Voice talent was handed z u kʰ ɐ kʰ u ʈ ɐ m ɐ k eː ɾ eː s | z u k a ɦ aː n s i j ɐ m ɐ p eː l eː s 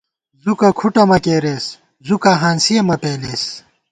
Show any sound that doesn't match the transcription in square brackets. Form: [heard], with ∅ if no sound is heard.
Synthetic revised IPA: z u [k] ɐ kʰ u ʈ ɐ m ɐ k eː ɾ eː s | z u k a ɦ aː n s i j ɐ m ɐ p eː l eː s